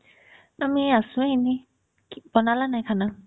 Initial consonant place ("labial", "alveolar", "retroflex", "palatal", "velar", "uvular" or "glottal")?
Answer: labial